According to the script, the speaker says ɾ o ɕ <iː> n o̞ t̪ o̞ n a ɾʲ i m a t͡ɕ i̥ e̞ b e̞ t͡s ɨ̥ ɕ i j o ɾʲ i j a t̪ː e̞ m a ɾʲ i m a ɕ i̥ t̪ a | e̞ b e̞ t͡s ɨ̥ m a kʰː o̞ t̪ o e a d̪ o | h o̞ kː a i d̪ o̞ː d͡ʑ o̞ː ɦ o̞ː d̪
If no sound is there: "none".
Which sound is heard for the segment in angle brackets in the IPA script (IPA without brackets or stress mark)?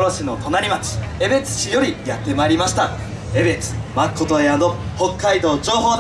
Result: i